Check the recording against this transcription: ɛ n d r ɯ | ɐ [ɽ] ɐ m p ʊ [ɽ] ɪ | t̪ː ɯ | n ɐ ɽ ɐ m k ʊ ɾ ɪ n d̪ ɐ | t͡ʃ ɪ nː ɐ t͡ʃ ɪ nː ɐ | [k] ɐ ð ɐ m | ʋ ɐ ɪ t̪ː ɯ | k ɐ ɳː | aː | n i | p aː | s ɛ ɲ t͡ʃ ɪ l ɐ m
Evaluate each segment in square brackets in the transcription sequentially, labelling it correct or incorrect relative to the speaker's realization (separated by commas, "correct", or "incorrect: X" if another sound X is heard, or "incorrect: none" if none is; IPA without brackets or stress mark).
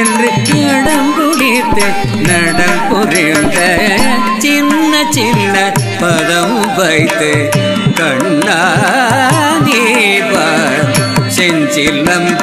correct, correct, incorrect: p